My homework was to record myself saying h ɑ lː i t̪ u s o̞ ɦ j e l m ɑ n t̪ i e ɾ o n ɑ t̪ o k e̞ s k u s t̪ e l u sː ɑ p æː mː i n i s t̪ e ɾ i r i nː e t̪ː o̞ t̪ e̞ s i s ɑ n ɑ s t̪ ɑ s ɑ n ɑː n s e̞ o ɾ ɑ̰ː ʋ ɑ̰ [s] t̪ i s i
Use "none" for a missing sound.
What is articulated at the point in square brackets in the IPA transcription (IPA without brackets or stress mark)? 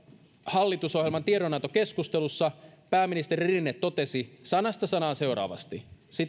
s